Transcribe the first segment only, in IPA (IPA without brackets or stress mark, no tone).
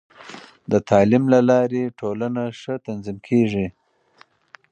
d̪